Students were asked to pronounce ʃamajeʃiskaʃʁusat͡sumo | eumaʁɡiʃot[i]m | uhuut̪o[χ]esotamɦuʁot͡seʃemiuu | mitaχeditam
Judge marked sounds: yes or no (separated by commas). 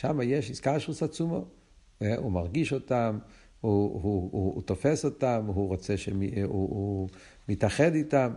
no, no